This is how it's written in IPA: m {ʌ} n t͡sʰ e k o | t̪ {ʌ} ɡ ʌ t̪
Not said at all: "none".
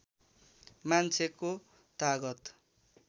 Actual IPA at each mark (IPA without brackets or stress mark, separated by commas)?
a, a